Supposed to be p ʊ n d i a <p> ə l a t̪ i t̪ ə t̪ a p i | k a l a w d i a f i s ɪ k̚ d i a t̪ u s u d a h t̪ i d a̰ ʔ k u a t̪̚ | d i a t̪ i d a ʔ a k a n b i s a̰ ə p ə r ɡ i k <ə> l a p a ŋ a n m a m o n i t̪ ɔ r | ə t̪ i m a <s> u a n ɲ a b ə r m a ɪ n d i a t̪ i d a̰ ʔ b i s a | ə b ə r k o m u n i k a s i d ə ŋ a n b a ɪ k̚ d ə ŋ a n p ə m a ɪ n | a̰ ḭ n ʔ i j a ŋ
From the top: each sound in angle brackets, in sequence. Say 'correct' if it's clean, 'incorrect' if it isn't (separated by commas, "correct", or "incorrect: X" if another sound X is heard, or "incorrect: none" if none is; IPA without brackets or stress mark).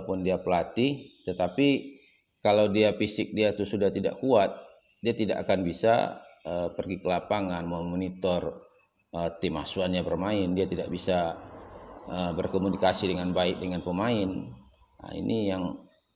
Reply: correct, correct, correct